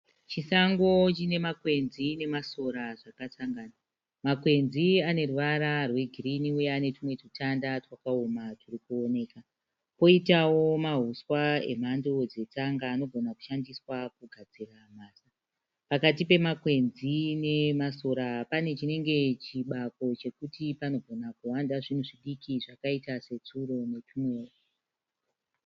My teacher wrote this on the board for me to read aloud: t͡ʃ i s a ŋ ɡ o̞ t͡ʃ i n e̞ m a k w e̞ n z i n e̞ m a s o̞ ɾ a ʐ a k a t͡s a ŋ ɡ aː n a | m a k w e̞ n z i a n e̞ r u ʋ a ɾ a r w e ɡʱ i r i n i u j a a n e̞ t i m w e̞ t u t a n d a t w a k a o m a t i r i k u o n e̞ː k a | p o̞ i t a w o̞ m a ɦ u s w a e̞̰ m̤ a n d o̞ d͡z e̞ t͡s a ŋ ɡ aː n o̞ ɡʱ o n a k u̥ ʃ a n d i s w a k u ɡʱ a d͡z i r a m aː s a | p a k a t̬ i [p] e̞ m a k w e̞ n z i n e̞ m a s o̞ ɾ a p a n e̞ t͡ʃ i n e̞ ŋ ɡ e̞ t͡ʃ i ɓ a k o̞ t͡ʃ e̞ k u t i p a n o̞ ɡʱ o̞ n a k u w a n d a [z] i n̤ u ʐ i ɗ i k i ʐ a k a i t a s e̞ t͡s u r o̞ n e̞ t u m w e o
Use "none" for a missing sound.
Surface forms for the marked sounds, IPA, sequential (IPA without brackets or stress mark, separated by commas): p, ʐ